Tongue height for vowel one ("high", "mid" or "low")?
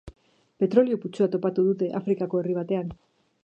mid